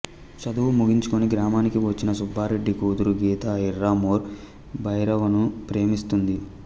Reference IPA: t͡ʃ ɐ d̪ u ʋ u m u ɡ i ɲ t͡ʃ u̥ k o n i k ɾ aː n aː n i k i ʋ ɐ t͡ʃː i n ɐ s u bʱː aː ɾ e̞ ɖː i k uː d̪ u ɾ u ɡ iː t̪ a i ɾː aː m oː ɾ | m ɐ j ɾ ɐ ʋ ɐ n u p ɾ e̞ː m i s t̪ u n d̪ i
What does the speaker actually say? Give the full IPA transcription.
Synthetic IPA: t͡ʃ ɐ d̪ u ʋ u m u ɡ i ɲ t͡ʃ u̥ k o n i ɡ ɾ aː m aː n i k i ʋ ɐ t͡ʃː i n ɐ s u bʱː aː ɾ e̞ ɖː i k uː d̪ u ɾ u ɡ iː t̪ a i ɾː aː m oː ɾ | b ɐ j ɾ ɐ ʋ ɐ n u p ɾ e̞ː m i s t̪ u n d̪ i